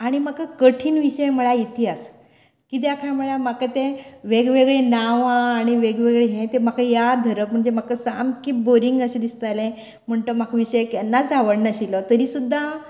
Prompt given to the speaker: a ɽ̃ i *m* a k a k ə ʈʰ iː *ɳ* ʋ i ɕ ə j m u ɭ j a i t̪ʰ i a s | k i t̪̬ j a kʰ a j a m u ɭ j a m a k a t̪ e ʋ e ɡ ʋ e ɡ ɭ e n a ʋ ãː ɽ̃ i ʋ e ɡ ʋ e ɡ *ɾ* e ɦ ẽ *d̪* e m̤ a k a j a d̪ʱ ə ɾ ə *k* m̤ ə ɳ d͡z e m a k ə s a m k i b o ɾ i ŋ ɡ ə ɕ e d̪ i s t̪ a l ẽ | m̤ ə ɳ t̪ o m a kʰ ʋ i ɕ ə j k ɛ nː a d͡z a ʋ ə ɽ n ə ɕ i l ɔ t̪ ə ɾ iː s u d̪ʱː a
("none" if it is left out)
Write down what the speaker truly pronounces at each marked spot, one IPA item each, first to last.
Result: m, n, ɭ, t̪, p

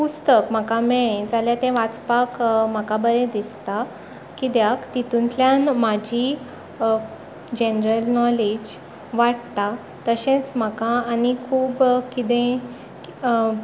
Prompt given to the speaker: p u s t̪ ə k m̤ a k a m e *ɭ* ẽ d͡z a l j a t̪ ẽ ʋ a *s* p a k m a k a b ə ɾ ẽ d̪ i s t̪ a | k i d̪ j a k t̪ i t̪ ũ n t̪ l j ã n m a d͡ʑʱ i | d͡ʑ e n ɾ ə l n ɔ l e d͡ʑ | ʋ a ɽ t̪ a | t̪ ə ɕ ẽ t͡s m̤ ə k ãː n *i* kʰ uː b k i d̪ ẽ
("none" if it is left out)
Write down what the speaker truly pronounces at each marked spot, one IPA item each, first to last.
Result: ɭ, t͡s, i

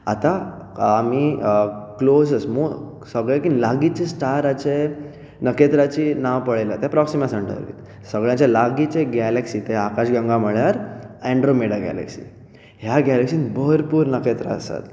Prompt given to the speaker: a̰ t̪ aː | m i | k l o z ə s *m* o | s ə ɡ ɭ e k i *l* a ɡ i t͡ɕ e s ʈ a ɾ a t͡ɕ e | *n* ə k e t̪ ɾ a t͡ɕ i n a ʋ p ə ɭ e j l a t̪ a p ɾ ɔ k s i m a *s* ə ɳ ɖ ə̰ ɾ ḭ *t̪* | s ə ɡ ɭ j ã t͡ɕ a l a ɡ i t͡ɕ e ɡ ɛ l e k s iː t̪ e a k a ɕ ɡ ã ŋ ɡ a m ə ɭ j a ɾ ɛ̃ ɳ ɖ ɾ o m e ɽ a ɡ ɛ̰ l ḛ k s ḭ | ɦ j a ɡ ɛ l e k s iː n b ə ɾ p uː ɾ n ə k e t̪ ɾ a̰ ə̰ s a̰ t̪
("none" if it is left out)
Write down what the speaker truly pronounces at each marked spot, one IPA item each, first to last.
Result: m, l, n, s, t̪

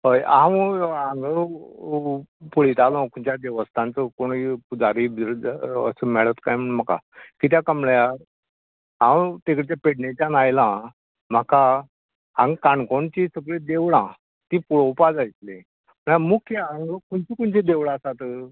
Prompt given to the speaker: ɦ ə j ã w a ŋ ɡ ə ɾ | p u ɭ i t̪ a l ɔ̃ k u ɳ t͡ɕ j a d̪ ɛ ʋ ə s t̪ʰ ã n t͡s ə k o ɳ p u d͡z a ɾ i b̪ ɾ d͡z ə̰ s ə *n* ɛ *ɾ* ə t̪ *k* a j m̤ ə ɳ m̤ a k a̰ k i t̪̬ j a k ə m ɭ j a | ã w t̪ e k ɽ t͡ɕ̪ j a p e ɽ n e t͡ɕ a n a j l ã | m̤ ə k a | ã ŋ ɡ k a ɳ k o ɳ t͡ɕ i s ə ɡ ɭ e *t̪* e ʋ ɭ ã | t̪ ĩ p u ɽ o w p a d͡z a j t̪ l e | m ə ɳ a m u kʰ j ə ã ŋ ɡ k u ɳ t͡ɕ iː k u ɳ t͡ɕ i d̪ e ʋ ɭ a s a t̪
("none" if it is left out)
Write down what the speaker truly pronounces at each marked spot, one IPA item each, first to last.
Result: m, ɭ, k, d̪

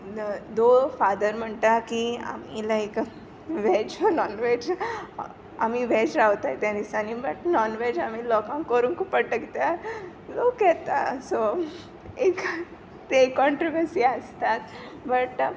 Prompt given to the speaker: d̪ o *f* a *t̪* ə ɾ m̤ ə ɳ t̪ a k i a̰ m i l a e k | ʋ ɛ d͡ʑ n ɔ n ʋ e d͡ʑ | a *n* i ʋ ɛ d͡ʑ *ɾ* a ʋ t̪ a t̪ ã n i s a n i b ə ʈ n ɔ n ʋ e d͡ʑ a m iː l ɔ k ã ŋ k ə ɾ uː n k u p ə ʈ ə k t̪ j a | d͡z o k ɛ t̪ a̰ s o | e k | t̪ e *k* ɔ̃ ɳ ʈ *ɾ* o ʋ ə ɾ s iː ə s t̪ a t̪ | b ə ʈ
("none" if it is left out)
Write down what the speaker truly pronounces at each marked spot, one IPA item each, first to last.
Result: f, d̪, m, ɾ, k, ɾ

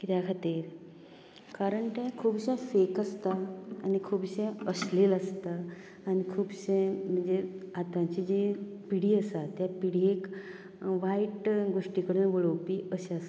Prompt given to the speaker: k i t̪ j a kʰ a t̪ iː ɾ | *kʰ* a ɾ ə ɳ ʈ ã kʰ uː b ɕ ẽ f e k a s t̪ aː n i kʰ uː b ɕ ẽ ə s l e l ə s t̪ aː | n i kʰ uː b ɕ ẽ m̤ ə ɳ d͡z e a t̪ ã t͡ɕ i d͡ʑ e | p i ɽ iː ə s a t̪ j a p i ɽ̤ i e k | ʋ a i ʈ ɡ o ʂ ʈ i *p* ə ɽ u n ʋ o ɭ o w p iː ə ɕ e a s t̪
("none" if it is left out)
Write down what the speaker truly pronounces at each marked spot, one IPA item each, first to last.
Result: k, k

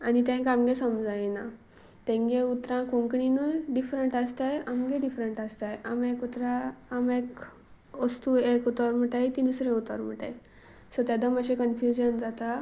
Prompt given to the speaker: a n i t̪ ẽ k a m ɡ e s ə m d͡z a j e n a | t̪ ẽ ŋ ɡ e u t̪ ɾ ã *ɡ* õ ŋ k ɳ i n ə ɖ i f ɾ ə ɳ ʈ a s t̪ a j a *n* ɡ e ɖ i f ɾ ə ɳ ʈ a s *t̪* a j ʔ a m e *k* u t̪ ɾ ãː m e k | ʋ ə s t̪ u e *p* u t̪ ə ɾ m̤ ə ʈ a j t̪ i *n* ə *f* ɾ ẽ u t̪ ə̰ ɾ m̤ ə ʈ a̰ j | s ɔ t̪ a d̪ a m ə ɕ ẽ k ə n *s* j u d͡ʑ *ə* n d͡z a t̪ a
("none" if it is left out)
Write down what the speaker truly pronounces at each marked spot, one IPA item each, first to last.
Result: k, m, t̪, k, k, n, s, f, ə

